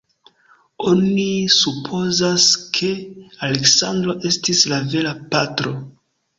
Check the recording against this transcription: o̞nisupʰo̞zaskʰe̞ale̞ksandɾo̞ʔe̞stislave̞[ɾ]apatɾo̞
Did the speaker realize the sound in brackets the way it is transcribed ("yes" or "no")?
no